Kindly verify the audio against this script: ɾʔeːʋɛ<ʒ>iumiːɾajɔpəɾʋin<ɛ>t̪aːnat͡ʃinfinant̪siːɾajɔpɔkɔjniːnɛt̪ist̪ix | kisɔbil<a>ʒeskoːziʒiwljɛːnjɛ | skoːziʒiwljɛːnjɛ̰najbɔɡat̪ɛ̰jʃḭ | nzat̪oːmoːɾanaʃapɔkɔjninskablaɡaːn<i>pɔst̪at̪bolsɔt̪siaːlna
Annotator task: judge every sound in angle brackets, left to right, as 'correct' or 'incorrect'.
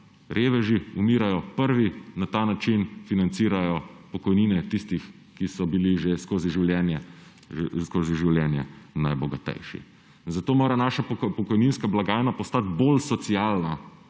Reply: correct, incorrect, incorrect, incorrect

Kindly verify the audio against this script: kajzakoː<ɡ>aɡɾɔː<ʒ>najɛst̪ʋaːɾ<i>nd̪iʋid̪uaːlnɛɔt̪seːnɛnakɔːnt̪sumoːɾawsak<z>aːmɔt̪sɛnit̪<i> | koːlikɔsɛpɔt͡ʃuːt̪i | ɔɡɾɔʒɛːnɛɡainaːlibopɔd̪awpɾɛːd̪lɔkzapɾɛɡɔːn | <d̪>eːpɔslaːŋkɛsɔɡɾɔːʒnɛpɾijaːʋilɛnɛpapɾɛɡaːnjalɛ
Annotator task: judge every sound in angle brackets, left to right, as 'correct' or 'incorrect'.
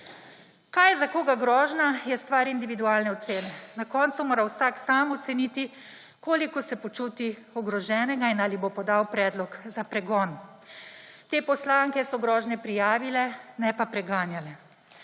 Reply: correct, correct, correct, incorrect, correct, incorrect

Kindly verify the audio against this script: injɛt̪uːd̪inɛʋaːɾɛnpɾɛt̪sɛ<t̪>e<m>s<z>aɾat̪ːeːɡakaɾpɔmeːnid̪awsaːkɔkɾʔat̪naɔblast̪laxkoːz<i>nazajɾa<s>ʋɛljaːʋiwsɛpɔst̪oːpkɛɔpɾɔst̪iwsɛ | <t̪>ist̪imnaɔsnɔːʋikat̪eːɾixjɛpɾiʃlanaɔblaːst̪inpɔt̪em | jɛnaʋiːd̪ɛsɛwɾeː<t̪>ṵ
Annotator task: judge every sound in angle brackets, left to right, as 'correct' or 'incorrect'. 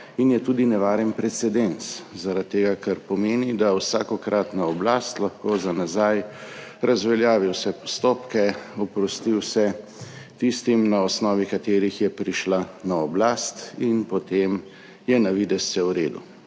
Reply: incorrect, incorrect, correct, incorrect, incorrect, correct, incorrect

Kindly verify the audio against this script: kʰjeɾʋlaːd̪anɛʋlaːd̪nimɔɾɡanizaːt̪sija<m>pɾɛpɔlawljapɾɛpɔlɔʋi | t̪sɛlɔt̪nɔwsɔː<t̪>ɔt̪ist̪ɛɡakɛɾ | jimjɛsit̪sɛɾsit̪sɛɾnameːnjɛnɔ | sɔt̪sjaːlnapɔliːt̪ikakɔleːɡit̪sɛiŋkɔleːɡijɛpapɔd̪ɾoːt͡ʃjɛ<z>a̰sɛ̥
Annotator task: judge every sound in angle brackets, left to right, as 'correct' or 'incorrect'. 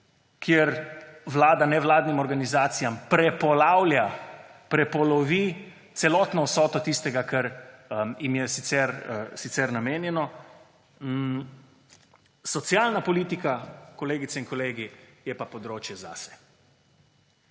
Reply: correct, correct, correct

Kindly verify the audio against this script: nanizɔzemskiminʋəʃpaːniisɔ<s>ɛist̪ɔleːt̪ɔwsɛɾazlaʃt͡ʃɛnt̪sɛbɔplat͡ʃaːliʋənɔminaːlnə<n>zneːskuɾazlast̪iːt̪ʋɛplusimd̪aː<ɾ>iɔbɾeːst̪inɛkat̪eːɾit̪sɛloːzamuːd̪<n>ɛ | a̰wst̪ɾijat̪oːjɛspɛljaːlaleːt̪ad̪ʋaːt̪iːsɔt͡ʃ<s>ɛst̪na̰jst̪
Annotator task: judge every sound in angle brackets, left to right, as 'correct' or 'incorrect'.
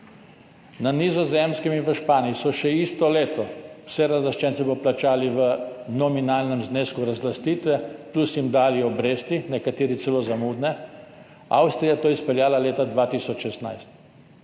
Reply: incorrect, incorrect, incorrect, correct, incorrect

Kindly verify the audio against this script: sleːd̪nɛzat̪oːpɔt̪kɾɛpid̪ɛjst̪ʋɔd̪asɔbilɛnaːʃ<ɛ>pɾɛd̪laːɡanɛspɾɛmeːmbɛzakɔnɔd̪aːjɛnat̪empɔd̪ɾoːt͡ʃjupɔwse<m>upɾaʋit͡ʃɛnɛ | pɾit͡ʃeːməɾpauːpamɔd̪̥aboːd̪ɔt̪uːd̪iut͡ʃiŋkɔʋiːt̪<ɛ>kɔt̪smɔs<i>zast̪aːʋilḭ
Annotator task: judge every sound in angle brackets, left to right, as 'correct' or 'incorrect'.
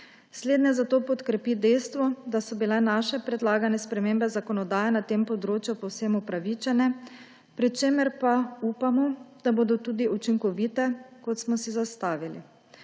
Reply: correct, correct, correct, correct

